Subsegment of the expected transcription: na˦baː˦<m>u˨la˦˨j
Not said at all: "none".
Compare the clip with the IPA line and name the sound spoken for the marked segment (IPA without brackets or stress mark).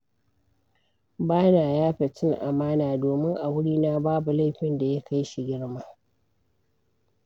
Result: b